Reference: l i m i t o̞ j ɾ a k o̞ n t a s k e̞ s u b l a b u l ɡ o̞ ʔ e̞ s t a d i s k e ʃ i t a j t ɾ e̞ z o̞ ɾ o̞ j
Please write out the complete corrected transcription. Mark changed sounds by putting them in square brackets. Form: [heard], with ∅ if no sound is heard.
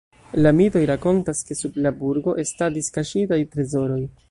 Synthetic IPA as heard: l [a] m i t o̞ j ɾ a k o̞ n t a s k e̞ s u b l a b u [ɾ] ɡ o̞ ʔ e̞ s t a d i s k [a] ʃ i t a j t ɾ e̞ z o̞ ɾ o̞ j